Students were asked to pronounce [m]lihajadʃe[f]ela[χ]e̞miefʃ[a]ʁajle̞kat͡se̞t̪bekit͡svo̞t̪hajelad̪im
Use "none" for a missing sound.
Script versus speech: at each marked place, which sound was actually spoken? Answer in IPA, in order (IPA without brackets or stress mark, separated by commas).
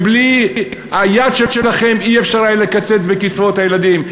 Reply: b, ʃ, χ, a